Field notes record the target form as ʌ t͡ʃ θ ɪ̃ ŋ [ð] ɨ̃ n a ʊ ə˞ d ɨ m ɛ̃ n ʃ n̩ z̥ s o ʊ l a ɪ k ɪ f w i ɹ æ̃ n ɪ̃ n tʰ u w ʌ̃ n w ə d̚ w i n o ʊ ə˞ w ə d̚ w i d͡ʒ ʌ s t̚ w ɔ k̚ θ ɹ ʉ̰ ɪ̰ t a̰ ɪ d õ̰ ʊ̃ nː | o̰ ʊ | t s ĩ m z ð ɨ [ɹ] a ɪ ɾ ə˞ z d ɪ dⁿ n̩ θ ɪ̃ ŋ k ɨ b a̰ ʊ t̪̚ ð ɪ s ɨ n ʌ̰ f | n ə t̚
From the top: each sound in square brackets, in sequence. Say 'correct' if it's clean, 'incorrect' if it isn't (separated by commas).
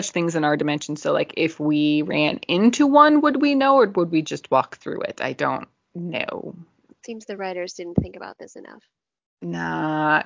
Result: incorrect, correct